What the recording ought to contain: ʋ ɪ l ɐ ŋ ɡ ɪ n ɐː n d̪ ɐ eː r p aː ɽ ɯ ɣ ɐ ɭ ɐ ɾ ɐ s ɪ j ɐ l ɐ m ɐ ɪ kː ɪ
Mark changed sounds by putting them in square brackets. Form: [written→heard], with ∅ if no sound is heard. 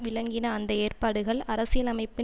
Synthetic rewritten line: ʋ ɪ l ɐ ŋ ɡ ɪ n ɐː n d̪ ɐ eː r p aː ɽ ɯ ɣ ɐ ɭ ɐ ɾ ɐ s ɪ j ɐ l ɐ m ɐ ɪ [kː→pː] ɪ